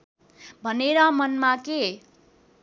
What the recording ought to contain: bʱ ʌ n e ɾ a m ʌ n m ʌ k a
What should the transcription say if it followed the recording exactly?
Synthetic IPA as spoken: bʱ ʌ n e ɾ ʌ m ʌ n m a k e

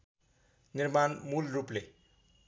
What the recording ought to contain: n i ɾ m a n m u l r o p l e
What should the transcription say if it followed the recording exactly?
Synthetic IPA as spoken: n i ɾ m a n m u l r u p l e

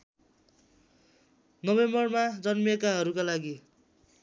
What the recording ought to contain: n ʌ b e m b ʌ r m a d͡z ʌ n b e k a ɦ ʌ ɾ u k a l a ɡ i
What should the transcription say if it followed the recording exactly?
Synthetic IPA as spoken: n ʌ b e m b ʌ r m a d͡z ʌ n m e k a ɦ ʌ ɾ u k a l a ɡ i

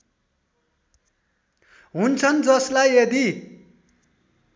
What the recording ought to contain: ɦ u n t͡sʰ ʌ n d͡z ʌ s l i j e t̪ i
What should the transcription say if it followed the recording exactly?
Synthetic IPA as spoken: ɦ u n t͡sʰ ʌ n d͡z ʌ s l a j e d̪ i

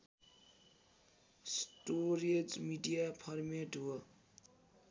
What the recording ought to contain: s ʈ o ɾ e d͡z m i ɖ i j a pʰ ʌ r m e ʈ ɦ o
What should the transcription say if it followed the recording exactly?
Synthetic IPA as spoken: s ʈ o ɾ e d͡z m i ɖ i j a pʰ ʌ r m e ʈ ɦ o

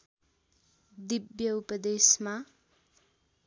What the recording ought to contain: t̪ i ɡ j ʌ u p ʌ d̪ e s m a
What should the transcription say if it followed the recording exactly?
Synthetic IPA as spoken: d̪ i b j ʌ u p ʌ d̪ e s m a

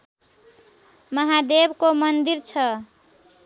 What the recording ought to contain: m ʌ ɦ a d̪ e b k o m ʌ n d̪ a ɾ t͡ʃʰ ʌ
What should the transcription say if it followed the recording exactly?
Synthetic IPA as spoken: m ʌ ɦ a d̪ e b k o m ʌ n d̪ i ɾ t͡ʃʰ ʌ

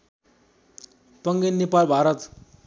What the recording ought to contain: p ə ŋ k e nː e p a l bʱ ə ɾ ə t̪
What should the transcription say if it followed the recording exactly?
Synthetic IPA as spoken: p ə ŋ ɡ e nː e p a l bʱ a ɾ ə t̪

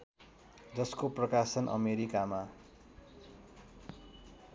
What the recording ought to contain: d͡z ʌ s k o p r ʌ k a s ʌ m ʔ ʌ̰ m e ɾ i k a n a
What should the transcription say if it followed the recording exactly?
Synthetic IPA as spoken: d͡z ʌ s k o p r ʌ k a s ʌ n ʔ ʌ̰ m e ɾ i k a m a

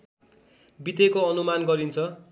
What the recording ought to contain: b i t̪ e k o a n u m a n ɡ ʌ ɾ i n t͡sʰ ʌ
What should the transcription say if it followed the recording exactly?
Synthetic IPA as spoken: b i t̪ e k o ʌ n u m a n ɡ ʌ ɾ i n t͡sʰ ʌ

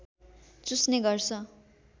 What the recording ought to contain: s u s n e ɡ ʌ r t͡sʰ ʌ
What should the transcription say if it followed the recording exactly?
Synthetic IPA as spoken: t͡s u s n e ɡ ʌ r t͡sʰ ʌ

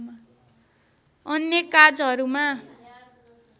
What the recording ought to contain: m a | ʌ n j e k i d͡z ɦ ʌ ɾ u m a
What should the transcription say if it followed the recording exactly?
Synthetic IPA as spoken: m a | ʌ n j e k a d͡z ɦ ʌ ɾ u m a

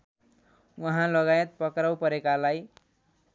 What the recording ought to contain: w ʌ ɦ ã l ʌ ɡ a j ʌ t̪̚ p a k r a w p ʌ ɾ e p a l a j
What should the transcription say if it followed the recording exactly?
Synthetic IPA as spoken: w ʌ ɦ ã l ʌ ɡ a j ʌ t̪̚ p ʌ k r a w p ʌ ɾ e k a l a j

